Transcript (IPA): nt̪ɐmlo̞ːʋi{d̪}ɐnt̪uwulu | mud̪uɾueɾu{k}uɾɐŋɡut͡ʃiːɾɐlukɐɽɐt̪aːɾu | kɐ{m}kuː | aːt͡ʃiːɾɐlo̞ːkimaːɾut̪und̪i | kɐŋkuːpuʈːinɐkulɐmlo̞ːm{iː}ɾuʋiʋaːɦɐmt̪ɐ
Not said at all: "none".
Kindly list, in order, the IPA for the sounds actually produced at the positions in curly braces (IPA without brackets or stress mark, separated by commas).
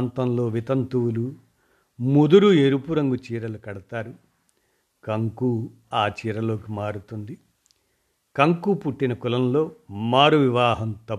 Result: t̪, p, ŋ, aː